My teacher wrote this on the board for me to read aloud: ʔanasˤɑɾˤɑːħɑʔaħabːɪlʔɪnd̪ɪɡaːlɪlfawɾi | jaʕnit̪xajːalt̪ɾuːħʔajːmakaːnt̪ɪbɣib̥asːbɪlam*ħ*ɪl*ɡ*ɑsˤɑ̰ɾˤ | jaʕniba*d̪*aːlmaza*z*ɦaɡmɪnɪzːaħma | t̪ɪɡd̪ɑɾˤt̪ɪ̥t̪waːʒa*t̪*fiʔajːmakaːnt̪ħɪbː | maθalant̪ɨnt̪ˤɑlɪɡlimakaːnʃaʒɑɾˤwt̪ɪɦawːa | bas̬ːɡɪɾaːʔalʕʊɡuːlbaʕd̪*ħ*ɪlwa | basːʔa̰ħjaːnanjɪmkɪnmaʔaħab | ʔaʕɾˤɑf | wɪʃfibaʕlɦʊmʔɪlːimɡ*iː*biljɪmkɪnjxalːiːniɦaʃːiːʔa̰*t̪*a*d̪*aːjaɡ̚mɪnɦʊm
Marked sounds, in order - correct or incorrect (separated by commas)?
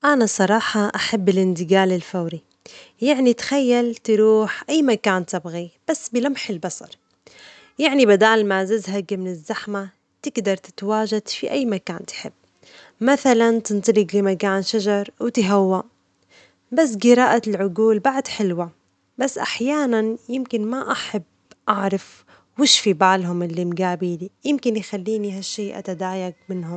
correct, incorrect, correct, correct, incorrect, correct, incorrect, correct, correct